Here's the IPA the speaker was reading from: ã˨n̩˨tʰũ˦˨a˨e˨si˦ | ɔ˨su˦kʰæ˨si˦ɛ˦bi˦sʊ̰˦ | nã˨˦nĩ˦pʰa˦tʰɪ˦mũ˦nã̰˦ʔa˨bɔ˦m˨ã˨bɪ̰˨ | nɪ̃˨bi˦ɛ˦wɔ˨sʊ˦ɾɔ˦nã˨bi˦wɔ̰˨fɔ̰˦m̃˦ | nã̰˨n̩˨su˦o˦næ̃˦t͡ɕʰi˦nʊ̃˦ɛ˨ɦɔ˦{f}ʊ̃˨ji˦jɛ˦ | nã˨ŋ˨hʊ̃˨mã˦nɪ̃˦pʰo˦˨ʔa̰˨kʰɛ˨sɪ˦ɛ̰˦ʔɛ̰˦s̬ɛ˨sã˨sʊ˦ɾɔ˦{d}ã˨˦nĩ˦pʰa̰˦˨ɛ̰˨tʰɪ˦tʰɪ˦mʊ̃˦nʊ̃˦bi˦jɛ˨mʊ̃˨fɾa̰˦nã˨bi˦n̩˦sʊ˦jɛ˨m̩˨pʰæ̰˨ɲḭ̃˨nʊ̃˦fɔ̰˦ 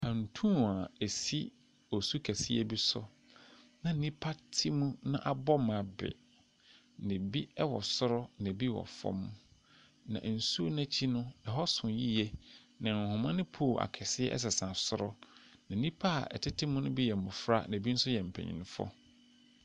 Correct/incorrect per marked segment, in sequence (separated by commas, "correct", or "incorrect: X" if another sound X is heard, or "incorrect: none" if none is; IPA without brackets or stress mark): incorrect: s, incorrect: n